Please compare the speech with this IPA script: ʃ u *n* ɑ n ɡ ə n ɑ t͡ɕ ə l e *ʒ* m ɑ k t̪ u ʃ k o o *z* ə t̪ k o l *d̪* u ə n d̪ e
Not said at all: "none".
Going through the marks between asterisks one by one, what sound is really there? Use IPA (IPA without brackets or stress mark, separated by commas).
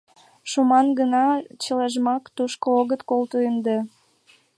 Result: m, ʒ, ɣ, t̪